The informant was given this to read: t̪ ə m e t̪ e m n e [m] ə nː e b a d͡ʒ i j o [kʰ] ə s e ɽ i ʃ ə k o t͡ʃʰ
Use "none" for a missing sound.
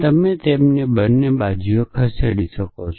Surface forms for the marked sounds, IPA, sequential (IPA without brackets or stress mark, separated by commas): b, kʰ